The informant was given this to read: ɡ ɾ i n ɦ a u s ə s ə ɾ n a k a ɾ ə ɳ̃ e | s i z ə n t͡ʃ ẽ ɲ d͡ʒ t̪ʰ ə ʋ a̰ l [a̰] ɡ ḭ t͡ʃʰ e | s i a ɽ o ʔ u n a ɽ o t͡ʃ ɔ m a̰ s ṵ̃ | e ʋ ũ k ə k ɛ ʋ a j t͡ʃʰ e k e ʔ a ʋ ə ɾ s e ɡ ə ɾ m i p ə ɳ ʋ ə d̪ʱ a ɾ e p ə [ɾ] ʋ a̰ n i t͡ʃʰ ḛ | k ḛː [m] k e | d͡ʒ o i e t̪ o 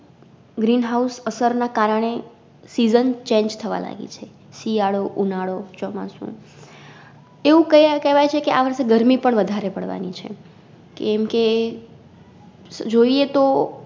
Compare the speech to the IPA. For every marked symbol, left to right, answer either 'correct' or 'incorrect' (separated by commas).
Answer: correct, incorrect, correct